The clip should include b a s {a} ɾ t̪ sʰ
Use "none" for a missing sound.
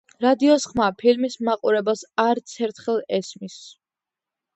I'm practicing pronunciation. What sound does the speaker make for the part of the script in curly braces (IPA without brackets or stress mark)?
a